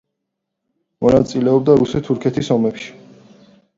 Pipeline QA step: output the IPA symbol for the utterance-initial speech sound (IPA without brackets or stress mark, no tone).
m